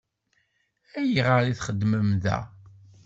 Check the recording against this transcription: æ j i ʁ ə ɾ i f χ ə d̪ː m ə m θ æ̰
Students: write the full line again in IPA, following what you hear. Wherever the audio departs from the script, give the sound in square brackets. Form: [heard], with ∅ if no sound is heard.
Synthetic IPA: æ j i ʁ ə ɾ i [θ] χ ə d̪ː m ə m [ð] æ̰